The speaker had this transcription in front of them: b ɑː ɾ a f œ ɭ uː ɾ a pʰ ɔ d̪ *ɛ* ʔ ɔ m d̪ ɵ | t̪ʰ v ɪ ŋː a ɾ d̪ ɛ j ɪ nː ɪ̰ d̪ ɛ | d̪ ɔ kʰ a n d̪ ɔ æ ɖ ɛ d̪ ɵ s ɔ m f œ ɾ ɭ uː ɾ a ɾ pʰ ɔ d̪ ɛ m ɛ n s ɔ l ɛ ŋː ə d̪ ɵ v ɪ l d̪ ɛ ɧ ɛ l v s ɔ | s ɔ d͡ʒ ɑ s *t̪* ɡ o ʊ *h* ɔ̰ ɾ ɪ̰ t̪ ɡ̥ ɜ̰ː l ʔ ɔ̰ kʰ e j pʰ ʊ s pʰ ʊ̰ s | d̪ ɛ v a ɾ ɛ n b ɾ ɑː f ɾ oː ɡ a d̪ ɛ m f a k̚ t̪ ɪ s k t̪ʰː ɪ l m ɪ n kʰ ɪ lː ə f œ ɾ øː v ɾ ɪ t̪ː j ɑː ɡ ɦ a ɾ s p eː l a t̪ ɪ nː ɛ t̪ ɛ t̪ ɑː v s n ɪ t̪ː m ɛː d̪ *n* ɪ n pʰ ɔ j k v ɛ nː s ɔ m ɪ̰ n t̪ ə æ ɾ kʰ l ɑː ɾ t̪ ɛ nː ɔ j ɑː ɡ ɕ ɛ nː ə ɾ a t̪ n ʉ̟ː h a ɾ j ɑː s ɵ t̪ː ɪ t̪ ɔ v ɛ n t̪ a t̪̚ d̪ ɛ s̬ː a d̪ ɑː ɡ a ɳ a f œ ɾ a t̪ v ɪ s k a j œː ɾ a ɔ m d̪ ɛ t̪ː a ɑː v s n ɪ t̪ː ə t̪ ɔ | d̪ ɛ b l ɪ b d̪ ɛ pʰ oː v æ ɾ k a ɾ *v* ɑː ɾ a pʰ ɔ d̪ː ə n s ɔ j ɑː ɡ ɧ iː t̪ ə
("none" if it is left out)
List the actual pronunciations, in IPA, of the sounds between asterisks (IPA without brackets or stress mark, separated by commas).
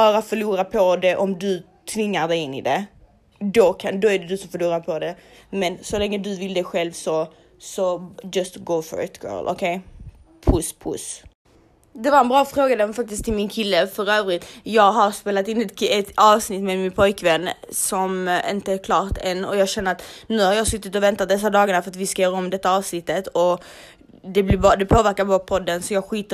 ɛ, t̪, f, m, b